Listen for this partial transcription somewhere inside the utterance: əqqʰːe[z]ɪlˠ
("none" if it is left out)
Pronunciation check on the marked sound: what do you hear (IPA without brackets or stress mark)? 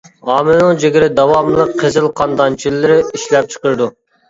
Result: z